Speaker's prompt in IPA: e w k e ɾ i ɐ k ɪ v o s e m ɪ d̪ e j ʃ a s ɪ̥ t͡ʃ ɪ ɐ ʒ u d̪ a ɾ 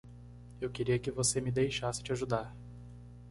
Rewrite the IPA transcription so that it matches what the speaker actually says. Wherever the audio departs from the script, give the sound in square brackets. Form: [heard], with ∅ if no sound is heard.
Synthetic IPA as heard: e w k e ɾ i ɐ k ɪ v o s e m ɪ d̪ e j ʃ a s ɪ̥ t͡ʃ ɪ [a] ʒ u d̪ a ɾ

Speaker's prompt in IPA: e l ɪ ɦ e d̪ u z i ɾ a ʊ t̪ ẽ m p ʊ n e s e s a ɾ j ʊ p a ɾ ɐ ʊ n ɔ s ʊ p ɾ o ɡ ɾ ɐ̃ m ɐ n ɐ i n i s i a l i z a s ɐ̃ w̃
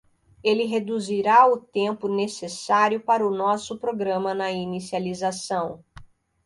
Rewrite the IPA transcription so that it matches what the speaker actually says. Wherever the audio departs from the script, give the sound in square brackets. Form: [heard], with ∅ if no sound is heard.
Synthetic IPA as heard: e l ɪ ɦ e d̪ u z i ɾ a ʊ t̪ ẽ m p ʊ n e s e s a ɾ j ʊ p a ɾ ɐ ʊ n ɔ s ʊ p ɾ o ɡ ɾ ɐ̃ m ɐ n ɐ i n i s i a l i z a s ɐ̃ w̃

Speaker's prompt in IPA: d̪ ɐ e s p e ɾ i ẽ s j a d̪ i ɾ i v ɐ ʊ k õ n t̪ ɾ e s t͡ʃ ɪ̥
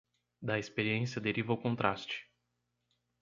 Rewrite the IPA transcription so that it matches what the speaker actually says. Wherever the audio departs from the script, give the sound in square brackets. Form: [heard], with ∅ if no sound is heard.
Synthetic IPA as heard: d̪ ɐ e s p e ɾ i ẽ s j [ɐ] d̪ [e] ɾ i v ɐ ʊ k õ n t̪ ɾ [a] s t͡ʃ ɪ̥

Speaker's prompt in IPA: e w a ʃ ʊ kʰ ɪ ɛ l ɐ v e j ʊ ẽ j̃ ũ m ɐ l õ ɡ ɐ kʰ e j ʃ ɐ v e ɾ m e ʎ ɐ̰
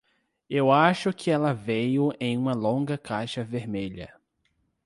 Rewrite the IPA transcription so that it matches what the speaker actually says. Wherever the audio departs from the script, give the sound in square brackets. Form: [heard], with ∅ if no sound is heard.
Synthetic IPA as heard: e w a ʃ ʊ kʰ ɪ ɛ l ɐ v e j ʊ ẽ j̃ ũ m ɐ l õ ɡ ɐ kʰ [a] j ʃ ɐ v e ɾ m e ʎ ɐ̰

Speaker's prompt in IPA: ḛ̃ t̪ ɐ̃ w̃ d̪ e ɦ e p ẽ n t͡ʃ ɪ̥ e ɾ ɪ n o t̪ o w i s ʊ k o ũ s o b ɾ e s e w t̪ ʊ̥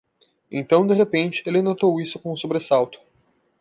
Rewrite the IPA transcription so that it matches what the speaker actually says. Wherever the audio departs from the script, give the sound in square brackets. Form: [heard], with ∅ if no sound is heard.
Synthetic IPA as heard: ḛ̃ t̪ ɐ̃ w̃ d̪ e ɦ e p ẽ n t͡ʃ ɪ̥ e [l] ɪ n o t̪ o w i s ʊ k [õ] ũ s o b ɾ e s [a] w t̪ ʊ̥

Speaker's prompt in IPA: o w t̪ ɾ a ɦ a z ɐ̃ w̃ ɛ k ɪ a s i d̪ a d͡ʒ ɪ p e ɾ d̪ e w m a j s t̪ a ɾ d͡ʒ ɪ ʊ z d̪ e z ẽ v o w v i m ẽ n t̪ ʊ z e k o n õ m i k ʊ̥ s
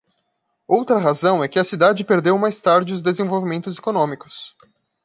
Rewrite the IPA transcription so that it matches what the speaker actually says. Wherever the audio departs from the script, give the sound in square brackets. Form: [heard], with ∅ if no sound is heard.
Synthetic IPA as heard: o w t̪ ɾ [ɐ] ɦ a z ɐ̃ w̃ ɛ k ɪ [ɐ] s i d̪ a d͡ʒ ɪ p e ɾ d̪ e w m a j s t̪ a ɾ d͡ʒ ɪ ʊ z d̪ e z ẽ v o w v i m ẽ n t̪ ʊ z e k o n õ m i k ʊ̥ s

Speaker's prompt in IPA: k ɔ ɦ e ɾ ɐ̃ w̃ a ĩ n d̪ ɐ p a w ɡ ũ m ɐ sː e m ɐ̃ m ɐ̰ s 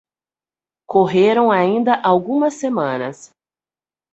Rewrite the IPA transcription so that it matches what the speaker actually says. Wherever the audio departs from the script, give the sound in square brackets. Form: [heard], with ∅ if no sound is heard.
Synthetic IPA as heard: k [o] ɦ e ɾ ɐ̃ w̃ a ĩ n d̪ ɐ [ʔ] a w ɡ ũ m ɐ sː e m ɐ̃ [n] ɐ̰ s

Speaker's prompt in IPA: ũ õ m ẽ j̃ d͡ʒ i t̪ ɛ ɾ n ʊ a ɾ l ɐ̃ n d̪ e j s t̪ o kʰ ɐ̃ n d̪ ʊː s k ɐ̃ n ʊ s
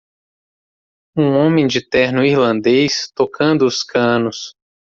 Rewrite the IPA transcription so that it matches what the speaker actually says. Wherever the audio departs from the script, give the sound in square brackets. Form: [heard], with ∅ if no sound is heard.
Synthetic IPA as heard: ũ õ m ẽ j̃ d͡ʒ [ɪ] t̪ ɛ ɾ n ʊ [i] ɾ l ɐ̃ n d̪ e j s t̪ o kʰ ɐ̃ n d̪ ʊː s k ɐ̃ n ʊ s

